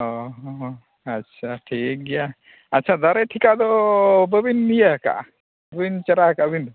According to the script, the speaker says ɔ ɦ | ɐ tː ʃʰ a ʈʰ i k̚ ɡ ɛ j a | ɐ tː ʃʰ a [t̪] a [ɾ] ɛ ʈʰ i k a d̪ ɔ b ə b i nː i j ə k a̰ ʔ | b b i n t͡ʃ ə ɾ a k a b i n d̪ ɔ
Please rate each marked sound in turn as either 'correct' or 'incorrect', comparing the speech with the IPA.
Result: incorrect: d̪, correct

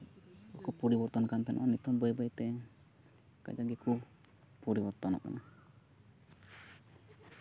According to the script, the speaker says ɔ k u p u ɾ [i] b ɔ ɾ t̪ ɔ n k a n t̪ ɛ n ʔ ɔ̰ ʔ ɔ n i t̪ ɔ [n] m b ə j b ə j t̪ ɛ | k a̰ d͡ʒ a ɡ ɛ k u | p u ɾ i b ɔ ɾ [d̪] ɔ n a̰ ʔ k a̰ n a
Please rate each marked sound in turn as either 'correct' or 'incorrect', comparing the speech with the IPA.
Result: correct, incorrect: none, incorrect: t̪

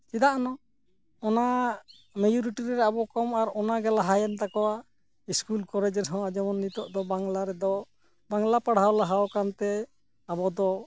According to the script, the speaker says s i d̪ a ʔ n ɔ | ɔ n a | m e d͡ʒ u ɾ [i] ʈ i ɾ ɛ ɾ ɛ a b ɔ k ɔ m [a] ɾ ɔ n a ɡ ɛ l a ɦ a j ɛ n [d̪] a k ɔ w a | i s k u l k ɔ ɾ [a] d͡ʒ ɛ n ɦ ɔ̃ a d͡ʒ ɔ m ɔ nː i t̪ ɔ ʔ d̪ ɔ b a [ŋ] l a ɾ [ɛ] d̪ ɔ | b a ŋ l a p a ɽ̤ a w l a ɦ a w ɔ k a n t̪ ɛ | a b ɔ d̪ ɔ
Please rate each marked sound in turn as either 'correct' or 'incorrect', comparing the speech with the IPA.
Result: correct, correct, incorrect: t̪, incorrect: ɛ, correct, correct

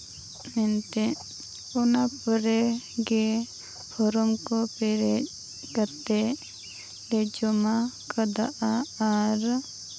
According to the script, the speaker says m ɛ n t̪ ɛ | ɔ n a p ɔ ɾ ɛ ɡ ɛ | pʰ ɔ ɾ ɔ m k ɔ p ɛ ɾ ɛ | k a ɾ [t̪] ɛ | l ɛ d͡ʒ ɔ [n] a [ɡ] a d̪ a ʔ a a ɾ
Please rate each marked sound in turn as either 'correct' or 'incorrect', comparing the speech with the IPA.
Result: correct, incorrect: m, incorrect: k

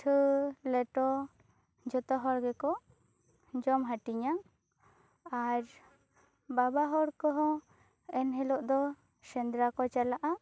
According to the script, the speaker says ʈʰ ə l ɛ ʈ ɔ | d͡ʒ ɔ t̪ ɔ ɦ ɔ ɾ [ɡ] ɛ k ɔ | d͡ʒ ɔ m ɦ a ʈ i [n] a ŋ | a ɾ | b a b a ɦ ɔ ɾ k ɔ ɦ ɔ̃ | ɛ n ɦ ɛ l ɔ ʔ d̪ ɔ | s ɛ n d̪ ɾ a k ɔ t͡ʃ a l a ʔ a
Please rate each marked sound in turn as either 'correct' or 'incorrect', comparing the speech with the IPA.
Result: correct, incorrect: ɲ

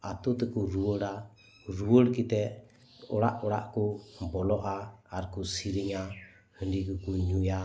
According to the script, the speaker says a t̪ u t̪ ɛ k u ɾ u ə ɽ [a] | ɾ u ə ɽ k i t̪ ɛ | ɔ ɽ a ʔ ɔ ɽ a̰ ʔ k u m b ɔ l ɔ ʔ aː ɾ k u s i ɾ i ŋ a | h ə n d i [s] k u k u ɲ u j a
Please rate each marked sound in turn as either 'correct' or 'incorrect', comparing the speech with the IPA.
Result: correct, incorrect: none

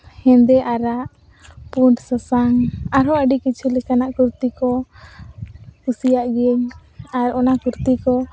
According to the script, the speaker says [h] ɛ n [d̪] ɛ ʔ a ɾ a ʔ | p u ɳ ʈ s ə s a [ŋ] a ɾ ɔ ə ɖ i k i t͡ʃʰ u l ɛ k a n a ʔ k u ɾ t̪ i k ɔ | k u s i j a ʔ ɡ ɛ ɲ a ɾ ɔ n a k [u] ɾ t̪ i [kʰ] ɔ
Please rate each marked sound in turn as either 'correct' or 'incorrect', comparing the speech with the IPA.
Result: correct, correct, correct, correct, incorrect: k

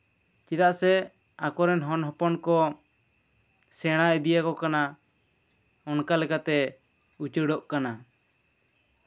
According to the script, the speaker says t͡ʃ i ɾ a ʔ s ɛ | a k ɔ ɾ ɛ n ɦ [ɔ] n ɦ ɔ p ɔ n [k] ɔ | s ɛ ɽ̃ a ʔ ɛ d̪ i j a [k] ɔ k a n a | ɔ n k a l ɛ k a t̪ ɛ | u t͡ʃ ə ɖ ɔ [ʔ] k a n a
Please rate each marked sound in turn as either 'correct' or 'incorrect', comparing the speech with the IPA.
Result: correct, correct, correct, correct

